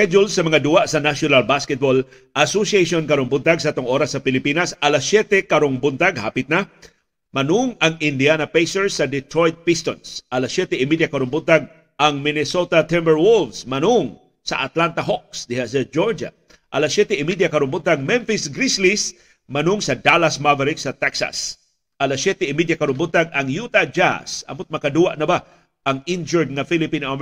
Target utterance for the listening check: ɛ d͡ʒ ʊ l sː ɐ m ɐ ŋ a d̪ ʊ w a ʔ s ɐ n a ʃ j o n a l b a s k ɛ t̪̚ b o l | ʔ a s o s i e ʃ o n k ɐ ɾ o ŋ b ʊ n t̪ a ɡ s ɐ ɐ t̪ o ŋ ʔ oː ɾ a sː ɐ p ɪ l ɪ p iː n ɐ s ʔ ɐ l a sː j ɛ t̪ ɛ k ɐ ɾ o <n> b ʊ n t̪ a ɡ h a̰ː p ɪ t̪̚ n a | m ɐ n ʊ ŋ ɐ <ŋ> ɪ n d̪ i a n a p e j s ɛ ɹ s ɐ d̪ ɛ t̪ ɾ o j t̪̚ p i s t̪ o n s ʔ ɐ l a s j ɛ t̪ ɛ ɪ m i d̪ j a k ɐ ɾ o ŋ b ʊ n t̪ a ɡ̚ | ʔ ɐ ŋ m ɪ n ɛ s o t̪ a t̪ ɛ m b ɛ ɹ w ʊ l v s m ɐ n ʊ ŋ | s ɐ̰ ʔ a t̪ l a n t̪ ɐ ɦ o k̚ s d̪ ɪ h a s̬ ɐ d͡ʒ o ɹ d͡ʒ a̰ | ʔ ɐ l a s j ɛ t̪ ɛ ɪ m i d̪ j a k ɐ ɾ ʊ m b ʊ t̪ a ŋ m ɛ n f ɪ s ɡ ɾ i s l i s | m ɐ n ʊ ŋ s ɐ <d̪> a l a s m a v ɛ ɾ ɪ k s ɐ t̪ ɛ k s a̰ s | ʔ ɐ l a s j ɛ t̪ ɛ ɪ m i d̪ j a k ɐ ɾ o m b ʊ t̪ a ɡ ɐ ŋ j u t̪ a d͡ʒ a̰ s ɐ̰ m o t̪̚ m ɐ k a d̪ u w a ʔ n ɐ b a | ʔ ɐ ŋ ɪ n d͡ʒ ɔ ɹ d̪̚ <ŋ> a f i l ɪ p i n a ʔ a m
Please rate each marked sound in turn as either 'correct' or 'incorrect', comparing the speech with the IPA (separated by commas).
incorrect, correct, correct, correct